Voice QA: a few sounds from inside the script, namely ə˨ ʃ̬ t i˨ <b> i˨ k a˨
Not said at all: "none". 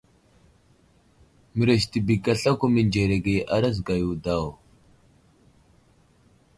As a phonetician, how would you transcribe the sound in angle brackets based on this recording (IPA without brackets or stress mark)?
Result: b